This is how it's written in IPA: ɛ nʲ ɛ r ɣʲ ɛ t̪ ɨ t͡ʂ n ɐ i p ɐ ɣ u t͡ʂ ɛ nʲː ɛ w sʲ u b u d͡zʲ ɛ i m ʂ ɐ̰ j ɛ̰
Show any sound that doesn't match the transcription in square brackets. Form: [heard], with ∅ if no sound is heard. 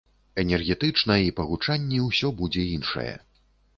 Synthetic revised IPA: ɛ nʲ ɛ r ɣʲ ɛ t̪ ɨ t͡ʂ n ɐ i p ɐ ɣ u t͡ʂ [a] nʲː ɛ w sʲ [ɔ] b u d͡zʲ ɛ i [n] ʂ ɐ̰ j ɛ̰